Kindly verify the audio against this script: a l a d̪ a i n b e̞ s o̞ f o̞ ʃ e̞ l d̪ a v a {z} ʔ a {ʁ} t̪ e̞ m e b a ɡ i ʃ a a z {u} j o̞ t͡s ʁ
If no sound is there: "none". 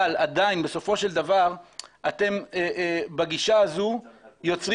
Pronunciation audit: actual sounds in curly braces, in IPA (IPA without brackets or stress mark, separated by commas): ʁ, none, u